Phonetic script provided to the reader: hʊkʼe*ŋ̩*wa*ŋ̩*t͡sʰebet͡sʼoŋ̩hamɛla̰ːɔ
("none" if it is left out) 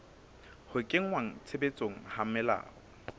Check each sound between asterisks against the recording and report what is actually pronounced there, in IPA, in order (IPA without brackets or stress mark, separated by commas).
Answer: ŋ̩, ŋ̩